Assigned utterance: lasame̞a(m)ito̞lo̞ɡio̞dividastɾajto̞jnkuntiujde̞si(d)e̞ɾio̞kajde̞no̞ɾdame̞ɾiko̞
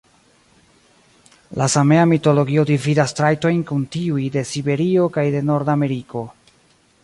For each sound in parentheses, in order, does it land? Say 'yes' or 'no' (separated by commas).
yes, no